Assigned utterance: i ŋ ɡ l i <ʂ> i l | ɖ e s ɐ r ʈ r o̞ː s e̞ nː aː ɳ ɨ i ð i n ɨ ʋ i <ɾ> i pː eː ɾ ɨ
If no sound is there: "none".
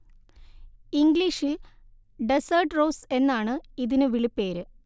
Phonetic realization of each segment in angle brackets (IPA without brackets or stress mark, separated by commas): ʂ, ɭ